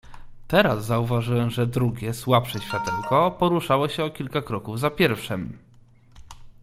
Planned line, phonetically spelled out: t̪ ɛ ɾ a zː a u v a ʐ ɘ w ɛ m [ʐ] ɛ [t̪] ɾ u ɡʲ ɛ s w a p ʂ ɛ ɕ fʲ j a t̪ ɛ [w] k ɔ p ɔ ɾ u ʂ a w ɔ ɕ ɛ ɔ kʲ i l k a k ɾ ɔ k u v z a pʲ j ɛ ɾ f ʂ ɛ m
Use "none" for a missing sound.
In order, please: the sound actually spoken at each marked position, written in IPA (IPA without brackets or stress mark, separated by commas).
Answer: ʐ, d̪, w